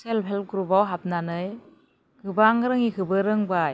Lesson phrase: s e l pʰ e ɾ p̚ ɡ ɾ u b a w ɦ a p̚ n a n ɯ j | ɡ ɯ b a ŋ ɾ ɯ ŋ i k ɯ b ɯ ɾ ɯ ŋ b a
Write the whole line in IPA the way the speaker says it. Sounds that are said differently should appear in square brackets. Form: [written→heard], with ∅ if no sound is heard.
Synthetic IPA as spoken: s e l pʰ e [ɾ→l] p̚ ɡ ɾ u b a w ɦ a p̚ n a n ɯ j | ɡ ɯ b a ŋ ɾ ɯ ŋ i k ɯ b ɯ ɾ ɯ ŋ b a